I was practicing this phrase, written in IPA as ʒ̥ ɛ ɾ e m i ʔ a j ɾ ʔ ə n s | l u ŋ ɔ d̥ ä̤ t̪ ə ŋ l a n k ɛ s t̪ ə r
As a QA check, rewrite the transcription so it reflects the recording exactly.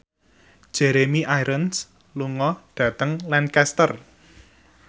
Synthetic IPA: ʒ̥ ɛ ɾ e m i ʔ a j ɾ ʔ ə n s | l u ŋ ɔ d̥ ä̤ t̪ ə ŋ l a n k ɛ s t̪ ə r